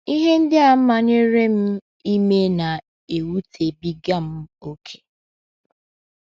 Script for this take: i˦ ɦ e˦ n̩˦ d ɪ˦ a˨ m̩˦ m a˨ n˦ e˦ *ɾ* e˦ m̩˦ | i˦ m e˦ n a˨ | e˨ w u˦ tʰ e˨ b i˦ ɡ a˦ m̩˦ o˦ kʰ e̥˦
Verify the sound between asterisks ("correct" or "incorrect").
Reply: correct